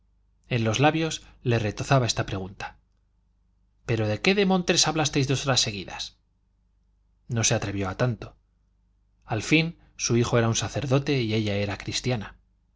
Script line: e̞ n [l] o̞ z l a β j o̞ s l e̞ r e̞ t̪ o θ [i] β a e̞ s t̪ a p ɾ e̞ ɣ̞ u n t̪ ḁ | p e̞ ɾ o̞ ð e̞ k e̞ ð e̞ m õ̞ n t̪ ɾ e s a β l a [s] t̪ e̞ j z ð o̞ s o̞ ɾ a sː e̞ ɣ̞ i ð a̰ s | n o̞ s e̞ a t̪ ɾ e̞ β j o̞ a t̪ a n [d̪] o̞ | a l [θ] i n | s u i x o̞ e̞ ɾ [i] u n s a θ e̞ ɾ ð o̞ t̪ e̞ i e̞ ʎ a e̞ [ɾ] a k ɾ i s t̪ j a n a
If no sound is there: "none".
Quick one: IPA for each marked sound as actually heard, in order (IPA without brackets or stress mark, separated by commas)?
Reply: l, a, s, t̪, f, a, ɾ